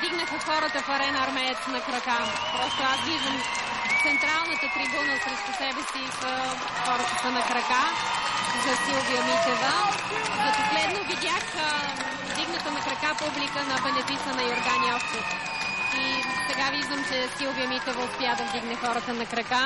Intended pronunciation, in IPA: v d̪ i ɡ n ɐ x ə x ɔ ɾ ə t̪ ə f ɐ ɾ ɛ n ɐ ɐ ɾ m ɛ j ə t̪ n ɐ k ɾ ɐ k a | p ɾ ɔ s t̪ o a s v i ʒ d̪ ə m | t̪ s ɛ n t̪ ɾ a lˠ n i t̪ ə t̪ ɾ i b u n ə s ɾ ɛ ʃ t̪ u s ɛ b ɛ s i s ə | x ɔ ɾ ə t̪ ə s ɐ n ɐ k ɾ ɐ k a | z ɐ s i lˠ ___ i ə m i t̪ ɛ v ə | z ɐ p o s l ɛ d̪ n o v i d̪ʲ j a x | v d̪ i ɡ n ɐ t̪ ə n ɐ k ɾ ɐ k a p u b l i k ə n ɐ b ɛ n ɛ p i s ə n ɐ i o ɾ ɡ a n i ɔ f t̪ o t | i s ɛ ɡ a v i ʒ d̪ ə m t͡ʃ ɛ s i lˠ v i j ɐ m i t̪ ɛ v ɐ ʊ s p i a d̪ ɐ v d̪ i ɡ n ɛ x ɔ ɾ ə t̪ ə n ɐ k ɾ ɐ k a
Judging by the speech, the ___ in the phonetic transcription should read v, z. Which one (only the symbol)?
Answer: v